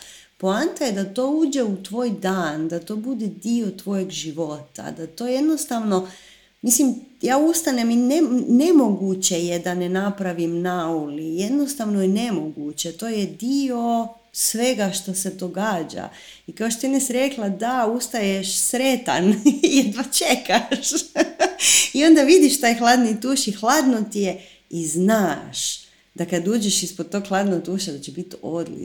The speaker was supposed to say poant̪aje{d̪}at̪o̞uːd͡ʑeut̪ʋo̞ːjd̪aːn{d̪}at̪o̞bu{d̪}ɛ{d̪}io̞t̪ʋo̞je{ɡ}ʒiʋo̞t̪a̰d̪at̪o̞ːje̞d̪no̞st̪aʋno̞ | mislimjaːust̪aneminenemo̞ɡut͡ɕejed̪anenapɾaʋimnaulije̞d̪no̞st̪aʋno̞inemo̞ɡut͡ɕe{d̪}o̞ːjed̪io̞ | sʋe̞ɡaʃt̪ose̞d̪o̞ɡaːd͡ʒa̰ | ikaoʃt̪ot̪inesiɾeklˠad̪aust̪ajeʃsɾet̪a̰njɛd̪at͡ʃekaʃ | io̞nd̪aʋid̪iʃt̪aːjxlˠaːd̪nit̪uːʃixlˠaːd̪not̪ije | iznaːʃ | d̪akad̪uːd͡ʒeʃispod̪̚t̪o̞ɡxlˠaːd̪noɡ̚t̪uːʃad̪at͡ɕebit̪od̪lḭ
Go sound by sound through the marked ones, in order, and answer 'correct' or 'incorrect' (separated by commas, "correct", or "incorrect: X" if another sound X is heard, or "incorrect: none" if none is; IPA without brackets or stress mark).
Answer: correct, correct, correct, correct, correct, incorrect: t̪